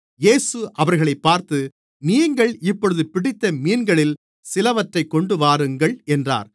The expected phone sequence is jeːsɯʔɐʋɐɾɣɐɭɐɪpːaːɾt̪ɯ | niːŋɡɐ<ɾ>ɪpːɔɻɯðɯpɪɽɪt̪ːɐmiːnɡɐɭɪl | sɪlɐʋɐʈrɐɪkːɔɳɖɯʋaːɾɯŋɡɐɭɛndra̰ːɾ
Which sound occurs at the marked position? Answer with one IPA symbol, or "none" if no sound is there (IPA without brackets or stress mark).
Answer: ɭ